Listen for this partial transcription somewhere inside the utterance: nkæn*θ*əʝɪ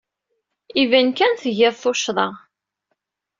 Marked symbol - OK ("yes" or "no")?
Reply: yes